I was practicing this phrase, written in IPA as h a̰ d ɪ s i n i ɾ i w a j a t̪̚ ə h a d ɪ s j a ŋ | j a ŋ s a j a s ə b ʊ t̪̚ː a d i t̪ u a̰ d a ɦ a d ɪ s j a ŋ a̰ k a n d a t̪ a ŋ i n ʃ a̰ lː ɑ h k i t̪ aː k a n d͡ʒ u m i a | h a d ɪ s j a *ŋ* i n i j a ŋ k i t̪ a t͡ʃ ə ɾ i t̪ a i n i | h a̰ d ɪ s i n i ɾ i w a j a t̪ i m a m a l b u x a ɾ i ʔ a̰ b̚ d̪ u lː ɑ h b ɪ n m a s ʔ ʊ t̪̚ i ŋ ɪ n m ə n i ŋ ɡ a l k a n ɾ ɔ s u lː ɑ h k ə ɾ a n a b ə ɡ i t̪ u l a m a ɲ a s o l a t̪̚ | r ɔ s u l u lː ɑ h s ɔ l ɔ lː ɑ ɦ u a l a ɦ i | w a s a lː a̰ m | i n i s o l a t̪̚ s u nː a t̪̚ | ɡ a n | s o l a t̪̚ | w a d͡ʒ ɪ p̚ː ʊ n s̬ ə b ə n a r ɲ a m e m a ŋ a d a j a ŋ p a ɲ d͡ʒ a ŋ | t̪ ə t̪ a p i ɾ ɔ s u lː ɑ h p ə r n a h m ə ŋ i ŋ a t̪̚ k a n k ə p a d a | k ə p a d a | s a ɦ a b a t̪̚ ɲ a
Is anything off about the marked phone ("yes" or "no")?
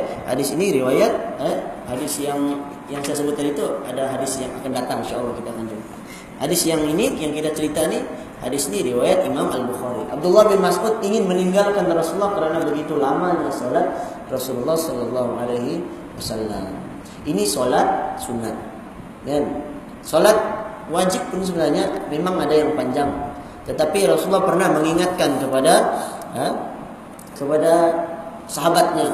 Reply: no